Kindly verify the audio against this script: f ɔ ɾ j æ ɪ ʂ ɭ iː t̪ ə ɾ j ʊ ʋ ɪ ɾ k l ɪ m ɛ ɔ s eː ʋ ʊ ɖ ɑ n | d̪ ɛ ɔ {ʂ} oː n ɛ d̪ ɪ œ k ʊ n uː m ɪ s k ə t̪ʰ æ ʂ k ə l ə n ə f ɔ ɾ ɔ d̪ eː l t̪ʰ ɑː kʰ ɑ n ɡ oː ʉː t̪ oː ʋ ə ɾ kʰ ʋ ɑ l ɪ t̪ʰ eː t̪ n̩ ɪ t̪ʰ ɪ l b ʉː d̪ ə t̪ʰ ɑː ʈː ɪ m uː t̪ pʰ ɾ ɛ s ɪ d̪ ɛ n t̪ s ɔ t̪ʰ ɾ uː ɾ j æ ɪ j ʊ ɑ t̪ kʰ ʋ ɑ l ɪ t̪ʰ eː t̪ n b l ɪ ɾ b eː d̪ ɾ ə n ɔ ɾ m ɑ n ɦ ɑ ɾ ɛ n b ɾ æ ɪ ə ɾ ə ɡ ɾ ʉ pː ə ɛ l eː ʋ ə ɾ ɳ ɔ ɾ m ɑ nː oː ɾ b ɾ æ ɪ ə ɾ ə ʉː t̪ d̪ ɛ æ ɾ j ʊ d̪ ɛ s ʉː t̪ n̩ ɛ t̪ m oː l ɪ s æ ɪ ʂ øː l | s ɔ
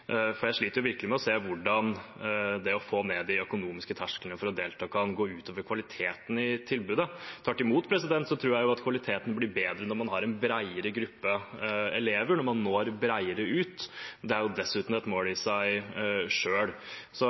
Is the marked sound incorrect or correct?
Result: incorrect